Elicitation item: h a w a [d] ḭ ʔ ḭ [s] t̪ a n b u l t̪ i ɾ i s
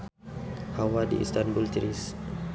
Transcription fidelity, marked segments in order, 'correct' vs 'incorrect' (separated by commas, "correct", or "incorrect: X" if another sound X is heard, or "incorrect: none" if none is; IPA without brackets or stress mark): correct, correct